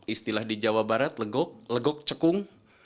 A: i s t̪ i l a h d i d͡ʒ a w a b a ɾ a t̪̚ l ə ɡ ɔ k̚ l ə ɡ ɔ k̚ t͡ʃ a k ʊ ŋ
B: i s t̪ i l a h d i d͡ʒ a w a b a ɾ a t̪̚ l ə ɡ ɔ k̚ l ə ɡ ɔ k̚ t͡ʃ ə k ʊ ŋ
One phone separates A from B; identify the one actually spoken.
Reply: B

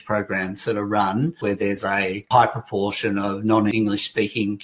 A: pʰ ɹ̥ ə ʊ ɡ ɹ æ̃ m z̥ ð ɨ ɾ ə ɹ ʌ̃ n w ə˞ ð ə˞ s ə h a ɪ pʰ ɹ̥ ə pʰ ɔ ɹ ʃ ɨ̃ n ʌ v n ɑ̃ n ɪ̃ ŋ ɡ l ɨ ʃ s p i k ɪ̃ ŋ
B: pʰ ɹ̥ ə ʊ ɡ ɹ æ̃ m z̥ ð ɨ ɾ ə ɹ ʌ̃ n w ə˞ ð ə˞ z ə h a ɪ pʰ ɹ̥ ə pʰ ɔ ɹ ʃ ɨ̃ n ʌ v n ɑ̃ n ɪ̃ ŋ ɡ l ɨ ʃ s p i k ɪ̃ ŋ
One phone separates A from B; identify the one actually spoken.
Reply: B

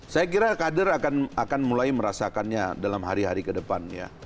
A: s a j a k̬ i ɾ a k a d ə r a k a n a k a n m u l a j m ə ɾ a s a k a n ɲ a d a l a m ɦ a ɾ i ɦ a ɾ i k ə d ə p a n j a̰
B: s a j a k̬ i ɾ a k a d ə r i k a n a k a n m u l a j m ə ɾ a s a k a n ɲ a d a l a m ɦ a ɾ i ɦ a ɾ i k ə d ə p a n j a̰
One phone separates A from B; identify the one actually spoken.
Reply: A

